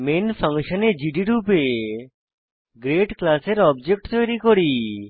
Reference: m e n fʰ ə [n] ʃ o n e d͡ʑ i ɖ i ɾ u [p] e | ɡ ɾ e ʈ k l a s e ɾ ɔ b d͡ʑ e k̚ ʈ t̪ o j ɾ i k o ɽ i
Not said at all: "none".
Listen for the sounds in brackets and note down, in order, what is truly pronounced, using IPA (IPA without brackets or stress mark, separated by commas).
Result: ŋ, p